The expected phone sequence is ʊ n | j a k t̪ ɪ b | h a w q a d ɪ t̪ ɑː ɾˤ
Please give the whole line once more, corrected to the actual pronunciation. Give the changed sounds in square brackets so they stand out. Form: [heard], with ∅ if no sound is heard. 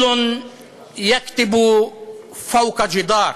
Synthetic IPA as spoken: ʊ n | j a k t̪ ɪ b | [f] a w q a [d͡ʒ] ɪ [d̪] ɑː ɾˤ